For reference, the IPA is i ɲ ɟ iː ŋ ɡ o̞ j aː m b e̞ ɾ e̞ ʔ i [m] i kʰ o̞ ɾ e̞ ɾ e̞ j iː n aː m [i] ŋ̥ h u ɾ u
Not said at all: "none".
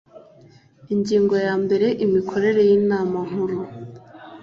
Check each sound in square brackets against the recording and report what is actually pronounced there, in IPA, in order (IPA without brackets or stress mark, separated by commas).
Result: m, a